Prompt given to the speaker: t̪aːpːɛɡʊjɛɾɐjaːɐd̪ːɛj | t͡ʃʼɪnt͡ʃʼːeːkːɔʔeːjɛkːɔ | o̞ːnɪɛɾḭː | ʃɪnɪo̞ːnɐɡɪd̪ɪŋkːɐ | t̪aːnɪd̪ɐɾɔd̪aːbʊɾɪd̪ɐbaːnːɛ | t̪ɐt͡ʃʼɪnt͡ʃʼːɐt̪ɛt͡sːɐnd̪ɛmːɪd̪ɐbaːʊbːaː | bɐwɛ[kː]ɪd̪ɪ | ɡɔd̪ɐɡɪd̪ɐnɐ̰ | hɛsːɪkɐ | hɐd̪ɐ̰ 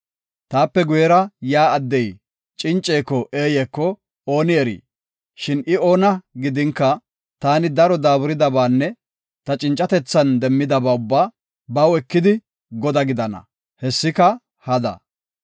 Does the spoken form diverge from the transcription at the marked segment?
no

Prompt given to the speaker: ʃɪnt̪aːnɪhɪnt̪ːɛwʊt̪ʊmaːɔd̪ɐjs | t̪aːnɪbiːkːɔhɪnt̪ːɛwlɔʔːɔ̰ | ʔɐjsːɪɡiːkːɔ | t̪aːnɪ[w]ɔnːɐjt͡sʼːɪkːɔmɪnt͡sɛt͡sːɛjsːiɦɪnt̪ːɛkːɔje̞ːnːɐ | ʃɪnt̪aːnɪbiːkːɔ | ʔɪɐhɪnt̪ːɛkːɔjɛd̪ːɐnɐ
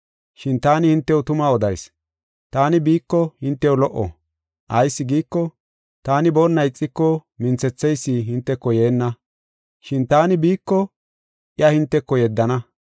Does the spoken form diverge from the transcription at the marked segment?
yes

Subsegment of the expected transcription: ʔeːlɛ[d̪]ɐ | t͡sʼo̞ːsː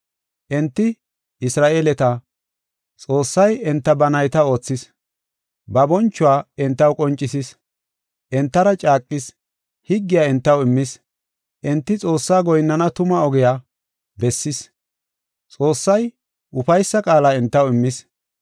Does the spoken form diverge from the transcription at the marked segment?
yes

